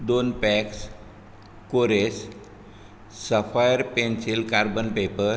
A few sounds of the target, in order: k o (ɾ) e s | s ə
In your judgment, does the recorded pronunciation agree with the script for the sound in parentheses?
yes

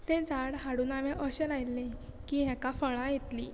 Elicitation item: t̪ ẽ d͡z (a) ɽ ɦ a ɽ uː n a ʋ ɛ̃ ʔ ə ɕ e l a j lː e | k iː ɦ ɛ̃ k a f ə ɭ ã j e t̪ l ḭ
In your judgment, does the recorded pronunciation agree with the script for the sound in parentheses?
yes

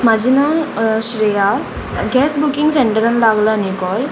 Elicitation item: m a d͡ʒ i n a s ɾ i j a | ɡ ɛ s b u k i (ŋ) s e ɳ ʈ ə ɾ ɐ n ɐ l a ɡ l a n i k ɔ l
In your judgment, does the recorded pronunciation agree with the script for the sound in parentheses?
yes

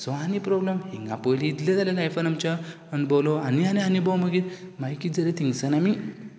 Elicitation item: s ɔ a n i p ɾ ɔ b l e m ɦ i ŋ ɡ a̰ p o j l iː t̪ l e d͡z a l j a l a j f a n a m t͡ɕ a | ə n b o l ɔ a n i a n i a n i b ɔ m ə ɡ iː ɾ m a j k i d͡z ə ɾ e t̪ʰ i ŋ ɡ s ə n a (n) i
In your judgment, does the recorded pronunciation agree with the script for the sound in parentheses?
no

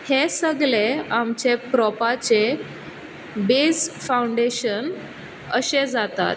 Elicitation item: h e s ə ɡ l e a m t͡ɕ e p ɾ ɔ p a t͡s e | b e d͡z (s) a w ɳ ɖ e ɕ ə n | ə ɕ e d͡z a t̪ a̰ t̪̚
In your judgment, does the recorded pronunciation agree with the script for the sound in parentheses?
no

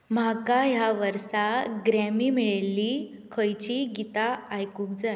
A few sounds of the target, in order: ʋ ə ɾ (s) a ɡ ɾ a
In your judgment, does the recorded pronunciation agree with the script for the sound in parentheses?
yes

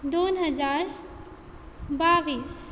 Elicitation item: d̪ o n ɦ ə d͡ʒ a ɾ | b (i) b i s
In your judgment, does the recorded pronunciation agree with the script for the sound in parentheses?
no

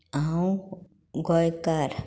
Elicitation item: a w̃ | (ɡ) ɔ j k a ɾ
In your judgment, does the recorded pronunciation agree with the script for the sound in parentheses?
yes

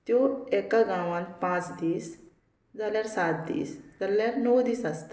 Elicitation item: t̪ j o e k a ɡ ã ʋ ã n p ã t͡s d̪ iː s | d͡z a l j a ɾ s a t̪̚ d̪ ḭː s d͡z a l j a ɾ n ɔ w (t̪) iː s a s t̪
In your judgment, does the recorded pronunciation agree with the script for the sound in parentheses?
no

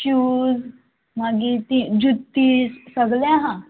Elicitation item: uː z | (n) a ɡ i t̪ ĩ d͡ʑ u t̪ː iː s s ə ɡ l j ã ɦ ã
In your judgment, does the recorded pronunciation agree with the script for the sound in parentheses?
no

